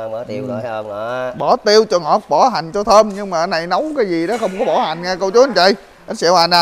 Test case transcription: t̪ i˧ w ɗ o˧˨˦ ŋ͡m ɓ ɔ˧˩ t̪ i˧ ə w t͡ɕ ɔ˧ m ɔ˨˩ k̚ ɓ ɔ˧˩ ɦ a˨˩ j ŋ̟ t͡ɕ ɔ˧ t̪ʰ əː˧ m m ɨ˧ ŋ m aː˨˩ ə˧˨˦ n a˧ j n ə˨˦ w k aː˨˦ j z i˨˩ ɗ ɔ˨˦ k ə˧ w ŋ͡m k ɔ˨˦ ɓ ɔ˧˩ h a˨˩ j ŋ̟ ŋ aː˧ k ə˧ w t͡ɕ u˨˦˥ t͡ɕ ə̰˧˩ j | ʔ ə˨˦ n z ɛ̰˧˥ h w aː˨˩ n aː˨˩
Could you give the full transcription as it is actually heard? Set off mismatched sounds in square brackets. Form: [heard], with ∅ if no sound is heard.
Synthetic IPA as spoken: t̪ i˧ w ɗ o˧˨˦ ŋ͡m ɓ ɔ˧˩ t̪ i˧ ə w t͡ɕ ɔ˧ [ŋ] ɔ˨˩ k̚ ɓ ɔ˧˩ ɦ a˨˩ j ŋ̟ t͡ɕ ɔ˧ t̪ʰ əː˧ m [ɲ] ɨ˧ ŋ m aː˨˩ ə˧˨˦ n [a˨˩] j n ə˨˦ w k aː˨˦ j z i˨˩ ɗ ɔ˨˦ [x] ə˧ w ŋ͡m k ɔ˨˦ ɓ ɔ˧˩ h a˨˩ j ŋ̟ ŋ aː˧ k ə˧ w t͡ɕ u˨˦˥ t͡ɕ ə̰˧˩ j | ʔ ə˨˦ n [s] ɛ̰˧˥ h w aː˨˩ n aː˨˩